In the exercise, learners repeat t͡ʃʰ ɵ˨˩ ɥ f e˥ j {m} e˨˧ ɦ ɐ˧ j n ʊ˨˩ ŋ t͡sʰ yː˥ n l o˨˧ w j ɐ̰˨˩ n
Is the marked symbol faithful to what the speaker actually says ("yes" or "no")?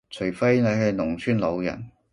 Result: no